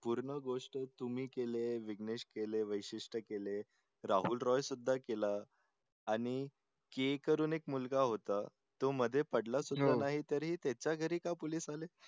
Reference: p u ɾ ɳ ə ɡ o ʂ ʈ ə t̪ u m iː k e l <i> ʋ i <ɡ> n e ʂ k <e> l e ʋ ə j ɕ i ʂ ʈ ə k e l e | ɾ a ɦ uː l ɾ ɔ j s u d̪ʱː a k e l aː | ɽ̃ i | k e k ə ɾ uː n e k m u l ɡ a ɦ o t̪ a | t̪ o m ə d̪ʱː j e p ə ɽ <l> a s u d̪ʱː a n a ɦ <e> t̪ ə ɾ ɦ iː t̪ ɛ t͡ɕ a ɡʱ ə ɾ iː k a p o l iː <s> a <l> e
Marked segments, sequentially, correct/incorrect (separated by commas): incorrect, correct, correct, correct, incorrect, correct, correct